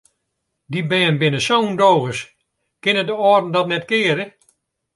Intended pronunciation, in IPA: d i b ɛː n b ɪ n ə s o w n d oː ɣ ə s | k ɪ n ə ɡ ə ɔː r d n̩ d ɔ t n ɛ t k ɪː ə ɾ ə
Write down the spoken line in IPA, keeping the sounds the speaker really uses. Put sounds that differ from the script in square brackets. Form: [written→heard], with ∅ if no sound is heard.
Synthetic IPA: d i b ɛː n b ɪ n ə s o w n d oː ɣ ə s | k ɪ n ə [ɡ→d] ə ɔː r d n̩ d ɔ t n ɛ t k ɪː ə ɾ ə